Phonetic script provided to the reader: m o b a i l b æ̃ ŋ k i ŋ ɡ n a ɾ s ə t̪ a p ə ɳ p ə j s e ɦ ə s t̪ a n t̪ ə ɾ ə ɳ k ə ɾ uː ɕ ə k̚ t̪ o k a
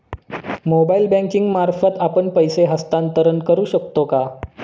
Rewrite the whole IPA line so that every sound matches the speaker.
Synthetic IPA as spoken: m o b a i l b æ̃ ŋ k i ŋ ɡ m a ɾ f ə t̪ a p ə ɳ p ə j s e ɦ ə s t̪ a n t̪ ə ɾ ə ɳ k ə ɾ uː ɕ ə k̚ t̪ o k a